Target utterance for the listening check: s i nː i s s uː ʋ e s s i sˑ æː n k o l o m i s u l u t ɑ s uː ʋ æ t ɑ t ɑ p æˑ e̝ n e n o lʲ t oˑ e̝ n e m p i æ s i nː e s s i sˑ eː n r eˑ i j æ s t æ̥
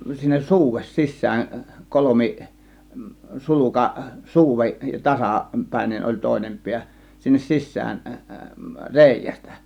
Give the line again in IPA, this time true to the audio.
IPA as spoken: s i nː e s s uː ʋ e s s i sˑ æː n k o l o m i s u l u k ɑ s uː ʋ e t ɑ s ɑ p æˑ e̝ n e n o lʲ t oˑ e̝ n e m p i æ s i nː e s s i sˑ æː n r eˑ i j æ s t æ̥